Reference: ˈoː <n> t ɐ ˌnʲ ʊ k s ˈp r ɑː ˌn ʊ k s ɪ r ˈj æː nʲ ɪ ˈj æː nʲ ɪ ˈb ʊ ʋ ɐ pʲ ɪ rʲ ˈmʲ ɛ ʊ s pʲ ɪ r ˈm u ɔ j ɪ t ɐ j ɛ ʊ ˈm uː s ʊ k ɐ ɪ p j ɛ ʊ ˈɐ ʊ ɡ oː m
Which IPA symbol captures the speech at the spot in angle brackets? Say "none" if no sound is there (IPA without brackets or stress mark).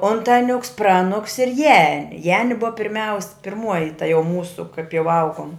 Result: n